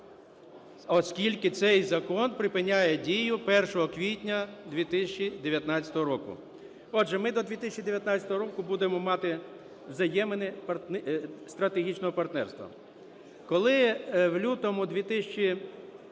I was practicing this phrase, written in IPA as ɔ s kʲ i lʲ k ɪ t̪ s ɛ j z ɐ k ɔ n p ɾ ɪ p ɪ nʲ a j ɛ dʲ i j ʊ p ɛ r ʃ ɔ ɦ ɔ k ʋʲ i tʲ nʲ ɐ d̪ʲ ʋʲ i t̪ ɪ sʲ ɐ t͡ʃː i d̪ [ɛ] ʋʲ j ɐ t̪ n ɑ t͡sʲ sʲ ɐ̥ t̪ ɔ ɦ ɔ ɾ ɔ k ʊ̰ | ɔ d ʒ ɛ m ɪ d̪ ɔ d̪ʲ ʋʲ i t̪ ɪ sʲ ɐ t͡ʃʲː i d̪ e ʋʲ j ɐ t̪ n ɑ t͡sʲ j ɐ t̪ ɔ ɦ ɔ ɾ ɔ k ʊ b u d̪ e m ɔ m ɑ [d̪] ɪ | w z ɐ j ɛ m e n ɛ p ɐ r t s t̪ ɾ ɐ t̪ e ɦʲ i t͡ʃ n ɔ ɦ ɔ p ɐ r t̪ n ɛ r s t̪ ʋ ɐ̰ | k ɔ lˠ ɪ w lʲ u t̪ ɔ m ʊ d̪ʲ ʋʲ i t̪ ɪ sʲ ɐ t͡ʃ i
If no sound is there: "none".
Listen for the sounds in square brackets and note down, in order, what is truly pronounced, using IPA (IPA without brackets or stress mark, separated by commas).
e, t̪